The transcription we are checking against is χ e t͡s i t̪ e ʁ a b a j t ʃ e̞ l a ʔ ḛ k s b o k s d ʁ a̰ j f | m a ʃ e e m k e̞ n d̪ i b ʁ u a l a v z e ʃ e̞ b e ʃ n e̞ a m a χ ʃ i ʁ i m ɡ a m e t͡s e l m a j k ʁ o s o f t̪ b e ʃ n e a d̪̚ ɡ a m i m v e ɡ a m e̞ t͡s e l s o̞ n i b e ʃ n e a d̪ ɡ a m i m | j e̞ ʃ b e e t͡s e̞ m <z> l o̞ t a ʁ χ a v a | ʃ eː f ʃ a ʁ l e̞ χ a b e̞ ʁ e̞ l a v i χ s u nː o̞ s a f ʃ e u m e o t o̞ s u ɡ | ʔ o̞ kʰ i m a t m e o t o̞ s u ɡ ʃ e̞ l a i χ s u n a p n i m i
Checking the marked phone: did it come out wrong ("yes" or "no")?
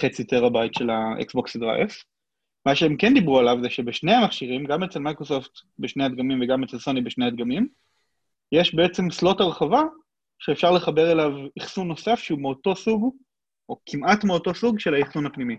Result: yes